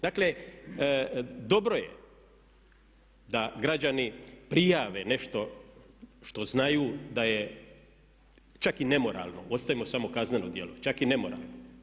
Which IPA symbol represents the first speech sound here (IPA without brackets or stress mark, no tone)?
d̪